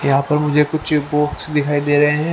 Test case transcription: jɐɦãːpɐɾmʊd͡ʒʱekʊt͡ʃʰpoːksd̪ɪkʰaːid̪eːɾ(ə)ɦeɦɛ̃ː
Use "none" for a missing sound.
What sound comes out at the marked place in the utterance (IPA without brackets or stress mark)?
ɐ